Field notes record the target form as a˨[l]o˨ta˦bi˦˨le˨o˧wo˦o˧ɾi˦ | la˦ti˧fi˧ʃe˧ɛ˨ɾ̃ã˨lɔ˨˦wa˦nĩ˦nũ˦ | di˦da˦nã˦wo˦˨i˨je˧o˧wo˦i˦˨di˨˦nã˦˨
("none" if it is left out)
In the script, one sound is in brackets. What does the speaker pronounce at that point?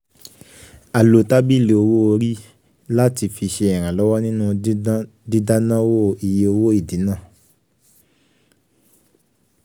l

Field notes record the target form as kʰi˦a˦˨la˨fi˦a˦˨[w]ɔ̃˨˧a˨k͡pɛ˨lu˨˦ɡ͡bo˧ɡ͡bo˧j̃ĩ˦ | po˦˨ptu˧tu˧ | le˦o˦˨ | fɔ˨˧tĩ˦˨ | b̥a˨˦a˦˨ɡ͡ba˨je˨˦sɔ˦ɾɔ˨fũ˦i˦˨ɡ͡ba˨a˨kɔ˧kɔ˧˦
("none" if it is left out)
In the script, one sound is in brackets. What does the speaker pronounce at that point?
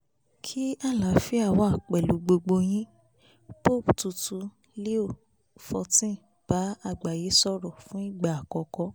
w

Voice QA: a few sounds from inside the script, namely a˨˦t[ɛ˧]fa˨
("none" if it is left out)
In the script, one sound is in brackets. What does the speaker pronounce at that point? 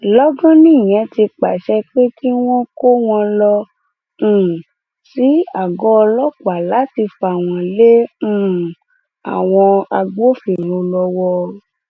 i˧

